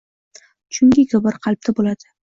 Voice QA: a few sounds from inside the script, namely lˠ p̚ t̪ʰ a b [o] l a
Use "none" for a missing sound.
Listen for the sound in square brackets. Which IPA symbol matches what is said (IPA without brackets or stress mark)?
o